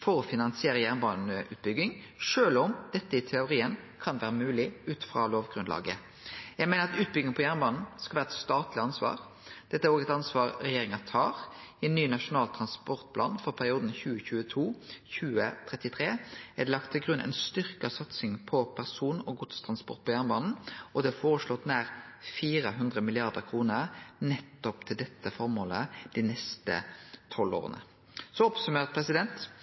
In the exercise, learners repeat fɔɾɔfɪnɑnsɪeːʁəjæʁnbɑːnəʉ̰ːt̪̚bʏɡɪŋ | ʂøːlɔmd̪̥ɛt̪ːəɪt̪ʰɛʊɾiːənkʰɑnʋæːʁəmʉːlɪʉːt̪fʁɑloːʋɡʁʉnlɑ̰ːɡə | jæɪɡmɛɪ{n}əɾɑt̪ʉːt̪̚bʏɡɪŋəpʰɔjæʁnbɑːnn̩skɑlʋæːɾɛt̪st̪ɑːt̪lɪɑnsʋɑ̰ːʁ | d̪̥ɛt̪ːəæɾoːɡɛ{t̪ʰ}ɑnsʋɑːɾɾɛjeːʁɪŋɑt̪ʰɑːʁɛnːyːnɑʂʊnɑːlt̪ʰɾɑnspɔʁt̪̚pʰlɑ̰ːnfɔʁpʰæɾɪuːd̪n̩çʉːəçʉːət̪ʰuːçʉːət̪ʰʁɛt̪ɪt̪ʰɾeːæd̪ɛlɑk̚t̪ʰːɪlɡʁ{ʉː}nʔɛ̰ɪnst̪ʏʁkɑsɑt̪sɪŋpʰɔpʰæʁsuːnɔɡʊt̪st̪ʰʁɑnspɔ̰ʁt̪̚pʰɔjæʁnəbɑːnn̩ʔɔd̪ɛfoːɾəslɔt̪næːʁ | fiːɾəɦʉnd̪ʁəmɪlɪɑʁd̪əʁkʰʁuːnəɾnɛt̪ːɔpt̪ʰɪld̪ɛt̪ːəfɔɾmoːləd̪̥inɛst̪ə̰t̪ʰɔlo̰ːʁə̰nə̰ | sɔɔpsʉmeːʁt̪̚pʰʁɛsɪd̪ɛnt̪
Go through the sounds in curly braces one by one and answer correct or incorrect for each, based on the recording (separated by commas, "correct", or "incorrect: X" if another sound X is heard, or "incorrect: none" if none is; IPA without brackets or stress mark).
correct, incorrect: t̪, incorrect: ʉ